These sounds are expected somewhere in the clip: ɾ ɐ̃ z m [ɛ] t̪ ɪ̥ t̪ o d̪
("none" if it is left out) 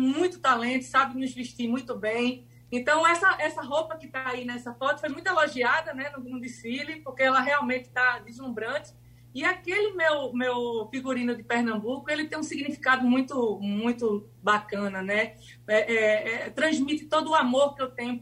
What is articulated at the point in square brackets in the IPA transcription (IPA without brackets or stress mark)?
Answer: i